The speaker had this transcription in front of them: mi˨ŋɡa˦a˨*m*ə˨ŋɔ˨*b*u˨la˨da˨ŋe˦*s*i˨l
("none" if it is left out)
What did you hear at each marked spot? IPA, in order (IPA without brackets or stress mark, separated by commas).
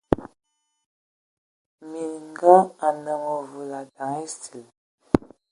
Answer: n, v, s